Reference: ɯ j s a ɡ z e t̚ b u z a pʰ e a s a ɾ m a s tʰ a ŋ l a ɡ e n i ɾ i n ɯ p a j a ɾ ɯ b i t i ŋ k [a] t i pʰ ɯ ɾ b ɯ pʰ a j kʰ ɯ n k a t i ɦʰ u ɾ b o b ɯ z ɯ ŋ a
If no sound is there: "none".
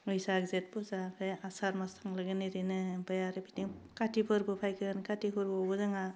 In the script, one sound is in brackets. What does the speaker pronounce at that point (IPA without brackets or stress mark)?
a